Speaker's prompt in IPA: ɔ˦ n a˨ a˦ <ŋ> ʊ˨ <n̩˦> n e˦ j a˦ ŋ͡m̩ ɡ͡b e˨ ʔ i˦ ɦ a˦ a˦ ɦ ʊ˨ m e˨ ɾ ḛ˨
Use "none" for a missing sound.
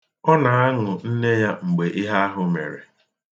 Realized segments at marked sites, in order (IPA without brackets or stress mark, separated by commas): ŋ, n̩˦